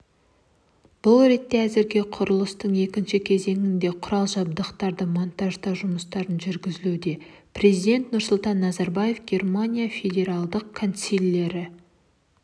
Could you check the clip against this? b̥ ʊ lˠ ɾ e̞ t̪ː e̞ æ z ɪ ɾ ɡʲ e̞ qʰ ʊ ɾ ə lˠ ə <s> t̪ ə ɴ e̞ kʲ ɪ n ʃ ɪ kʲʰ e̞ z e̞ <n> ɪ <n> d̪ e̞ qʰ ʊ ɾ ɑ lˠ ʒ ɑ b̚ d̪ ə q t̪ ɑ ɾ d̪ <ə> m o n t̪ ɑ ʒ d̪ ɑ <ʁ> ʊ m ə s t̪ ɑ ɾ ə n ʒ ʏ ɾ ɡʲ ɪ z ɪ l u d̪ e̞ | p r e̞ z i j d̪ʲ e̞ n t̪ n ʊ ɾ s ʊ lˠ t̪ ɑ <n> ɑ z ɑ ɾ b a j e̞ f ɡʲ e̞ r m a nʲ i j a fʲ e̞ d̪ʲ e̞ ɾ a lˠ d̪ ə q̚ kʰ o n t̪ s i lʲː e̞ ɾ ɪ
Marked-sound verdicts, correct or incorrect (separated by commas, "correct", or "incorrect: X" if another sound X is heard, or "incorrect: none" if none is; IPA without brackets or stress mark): correct, incorrect: ŋ, correct, correct, incorrect: ʒ, incorrect: nː